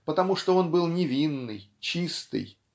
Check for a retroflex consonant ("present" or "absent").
present